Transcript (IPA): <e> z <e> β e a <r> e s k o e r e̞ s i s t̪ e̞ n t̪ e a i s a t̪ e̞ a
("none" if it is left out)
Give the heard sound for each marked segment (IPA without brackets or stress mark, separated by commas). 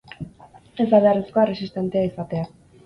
e, a, r